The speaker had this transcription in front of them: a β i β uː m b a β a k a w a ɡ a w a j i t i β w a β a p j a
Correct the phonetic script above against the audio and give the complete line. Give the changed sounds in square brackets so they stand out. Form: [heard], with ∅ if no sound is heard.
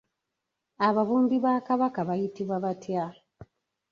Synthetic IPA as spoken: a β [a] β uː m b [i] β a k a [β] a [k] a [β] a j i t i β w a β a [t] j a

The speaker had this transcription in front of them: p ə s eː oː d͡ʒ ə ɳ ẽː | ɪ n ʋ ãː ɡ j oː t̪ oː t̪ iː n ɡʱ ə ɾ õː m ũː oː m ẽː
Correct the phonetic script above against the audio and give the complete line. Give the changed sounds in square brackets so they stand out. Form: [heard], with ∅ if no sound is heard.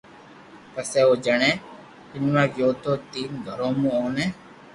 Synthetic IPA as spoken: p ə s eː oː d͡ʒ ə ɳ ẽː | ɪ n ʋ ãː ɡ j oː t̪ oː t̪ iː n ɡʱ ə ɾ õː m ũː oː [n] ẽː

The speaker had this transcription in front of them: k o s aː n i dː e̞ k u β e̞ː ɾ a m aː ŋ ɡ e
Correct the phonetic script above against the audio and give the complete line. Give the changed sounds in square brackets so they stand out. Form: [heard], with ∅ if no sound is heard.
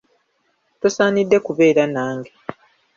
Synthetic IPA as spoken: [t] o s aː n i dː e̞ k u β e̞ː ɾ a [n] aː ŋ ɡ e

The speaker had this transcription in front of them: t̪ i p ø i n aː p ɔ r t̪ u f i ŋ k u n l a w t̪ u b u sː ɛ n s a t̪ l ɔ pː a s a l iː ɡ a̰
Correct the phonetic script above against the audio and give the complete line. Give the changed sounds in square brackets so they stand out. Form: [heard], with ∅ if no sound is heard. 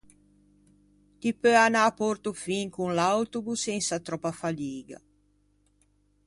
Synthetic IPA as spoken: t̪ i p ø [a] n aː p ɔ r t̪ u f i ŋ k u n l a w t̪ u b u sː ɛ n s a t̪ [ɾ] ɔ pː a [f] a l iː ɡ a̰

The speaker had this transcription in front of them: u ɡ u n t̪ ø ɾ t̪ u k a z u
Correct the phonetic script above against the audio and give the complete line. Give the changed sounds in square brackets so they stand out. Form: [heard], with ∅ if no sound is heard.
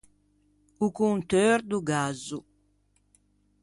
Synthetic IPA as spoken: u [k] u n t̪ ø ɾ [d̪] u [ɡ] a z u

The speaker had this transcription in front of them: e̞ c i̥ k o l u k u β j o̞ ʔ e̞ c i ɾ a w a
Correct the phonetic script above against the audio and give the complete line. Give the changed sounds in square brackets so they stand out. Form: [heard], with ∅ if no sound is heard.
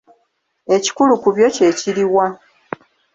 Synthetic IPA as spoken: e̞ c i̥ k [u] l u k u β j o̞ [c] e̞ c i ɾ [i] w a

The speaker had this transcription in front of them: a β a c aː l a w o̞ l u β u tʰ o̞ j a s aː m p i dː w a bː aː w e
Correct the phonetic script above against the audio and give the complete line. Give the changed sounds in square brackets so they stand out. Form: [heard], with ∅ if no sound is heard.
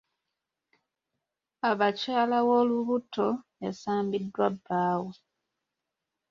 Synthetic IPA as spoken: a β a c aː l a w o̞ l u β u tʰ o̞ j a s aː m [b] i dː w a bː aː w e

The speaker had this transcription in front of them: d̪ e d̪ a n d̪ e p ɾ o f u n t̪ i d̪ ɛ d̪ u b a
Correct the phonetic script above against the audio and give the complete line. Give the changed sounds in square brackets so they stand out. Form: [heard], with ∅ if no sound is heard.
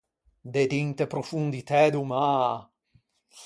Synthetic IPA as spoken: d̪ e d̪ [i] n [t̪] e p ɾ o f u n [d̪] i [t̪] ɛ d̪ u [m] a

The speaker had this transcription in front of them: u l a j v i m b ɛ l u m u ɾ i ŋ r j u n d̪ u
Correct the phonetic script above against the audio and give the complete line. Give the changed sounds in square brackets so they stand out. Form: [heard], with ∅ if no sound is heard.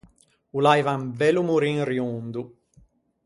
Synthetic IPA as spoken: u l a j v [a] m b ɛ l u m u ɾ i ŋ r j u n d̪ u

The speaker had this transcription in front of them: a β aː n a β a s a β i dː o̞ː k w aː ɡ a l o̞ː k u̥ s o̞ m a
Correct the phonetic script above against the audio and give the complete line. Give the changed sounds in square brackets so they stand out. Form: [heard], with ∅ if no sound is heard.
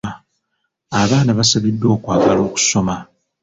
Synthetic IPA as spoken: a β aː n a β a s a β i dː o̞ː k w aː ɡ a l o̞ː k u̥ s o̞ m a

